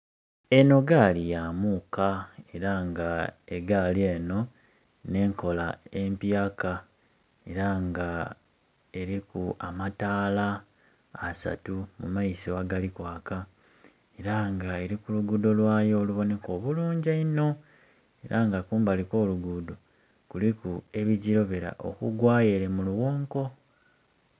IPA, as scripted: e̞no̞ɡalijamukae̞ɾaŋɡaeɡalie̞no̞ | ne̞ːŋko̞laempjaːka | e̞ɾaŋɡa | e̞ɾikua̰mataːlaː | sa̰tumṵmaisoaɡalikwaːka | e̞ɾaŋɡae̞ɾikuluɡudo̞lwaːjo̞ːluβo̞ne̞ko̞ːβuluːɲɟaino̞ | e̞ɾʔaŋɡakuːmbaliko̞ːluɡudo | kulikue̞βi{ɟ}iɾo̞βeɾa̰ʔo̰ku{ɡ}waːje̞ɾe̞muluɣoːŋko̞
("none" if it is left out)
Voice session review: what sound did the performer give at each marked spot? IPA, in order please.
ɟ, ɡ

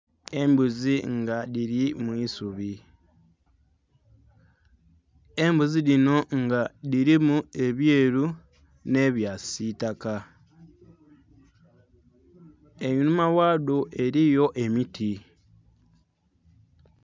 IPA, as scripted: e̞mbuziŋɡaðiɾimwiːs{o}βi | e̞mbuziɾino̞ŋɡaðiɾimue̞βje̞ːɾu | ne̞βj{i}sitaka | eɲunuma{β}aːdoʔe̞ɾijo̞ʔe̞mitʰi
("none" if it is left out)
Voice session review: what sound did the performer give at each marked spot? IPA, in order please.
u, a, w

